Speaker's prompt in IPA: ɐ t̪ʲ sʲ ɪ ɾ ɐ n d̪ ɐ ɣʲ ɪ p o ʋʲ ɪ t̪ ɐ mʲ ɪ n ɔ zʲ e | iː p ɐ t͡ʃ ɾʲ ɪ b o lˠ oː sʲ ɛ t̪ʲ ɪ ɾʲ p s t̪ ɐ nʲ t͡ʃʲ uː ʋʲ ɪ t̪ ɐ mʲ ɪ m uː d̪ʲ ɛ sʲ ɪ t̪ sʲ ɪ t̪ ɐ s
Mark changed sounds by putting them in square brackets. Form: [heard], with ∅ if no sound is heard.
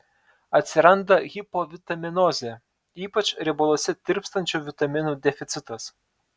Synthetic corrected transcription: ɐ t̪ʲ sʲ ɪ ɾ ɐ n d̪ ɐ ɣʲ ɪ p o ʋʲ ɪ t̪ ɐ mʲ ɪ n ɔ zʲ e | iː p ɐ t͡ʃ ɾʲ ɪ b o lˠ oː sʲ ɛ t̪ʲ ɪ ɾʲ p s t̪ ɐ nʲ t͡ʃʲ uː ʋʲ ɪ t̪ ɐ mʲ ɪ [n] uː d̪ʲ ɛ [fʲ] ɪ t̪ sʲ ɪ t̪ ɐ s